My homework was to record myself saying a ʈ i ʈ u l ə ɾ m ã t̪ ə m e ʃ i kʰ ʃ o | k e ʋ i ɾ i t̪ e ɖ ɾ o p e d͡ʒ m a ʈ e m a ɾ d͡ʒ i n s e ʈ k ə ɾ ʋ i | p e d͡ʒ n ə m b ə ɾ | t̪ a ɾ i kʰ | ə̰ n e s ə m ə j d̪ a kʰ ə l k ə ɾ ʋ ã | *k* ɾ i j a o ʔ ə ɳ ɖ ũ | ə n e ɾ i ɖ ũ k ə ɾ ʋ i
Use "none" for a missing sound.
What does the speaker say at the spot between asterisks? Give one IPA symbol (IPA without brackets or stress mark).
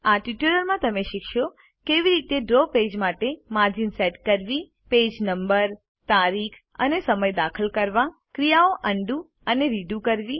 k